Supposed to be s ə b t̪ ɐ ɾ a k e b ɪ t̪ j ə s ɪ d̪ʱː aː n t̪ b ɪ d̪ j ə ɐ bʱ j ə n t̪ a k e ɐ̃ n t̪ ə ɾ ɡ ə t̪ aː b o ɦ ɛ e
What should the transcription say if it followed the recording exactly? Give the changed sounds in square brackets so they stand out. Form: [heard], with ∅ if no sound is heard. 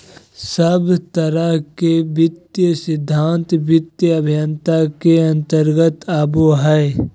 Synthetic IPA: s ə b t̪ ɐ ɾ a k e b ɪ t̪ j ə s ɪ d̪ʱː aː n t̪ b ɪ [t̪] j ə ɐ bʱ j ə n t̪ a k e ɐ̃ n t̪ ə ɾ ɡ ə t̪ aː b o ɦ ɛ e